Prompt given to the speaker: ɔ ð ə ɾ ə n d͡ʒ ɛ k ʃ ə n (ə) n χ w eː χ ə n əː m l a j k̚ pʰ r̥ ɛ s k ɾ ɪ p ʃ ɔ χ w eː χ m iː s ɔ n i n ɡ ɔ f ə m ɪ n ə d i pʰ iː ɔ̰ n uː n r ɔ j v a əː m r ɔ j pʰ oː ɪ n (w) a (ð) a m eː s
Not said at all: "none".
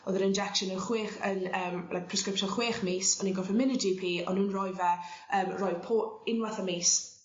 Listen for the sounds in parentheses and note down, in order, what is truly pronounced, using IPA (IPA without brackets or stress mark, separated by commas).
ə, w, θ